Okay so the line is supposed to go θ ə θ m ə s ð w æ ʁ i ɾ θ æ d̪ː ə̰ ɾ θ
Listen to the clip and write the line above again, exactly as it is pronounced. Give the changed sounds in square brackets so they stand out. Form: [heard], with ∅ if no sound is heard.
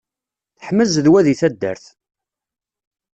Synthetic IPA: θ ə [ħ] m ə [z] ð w æ [ð] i [∅] θ æ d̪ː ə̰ ɾ θ